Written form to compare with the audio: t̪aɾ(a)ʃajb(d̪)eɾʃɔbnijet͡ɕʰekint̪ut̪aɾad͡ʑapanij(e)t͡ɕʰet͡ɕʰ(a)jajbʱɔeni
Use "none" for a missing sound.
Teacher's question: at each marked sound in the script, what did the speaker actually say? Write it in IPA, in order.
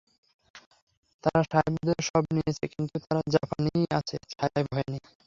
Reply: a, d̪, a, a

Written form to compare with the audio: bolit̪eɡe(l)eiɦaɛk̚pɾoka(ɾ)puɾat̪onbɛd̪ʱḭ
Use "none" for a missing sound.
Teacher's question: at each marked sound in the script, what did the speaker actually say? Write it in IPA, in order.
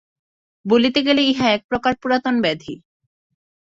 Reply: l, ɾ

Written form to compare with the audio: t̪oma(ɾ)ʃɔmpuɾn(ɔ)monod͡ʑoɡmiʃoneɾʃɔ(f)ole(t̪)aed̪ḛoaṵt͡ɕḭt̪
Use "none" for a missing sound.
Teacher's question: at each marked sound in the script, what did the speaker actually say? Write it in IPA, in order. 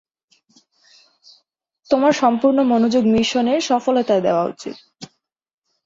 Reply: ɾ, o, f, t̪

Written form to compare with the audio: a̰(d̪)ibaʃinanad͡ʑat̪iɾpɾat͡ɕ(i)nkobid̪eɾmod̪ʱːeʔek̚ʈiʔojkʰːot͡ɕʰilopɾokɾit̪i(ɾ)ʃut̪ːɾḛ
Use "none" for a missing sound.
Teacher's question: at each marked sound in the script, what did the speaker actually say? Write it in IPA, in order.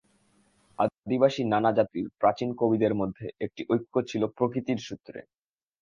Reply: d̪, i, ɾ

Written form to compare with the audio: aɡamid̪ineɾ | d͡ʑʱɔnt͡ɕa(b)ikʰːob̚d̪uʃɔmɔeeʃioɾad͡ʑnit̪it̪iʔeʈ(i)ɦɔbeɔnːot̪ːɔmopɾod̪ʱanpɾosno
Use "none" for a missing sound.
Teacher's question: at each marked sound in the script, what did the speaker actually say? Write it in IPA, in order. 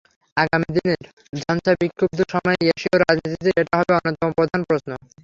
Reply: b, a

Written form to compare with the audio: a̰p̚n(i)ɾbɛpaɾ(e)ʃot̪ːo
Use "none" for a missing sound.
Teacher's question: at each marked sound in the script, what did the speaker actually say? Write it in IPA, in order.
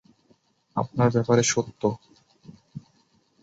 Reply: a, e

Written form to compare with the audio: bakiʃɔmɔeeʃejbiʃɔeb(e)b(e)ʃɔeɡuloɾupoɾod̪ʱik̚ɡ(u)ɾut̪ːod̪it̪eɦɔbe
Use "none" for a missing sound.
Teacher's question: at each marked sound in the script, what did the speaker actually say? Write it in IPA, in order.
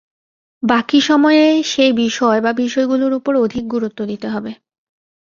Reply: a, i, u

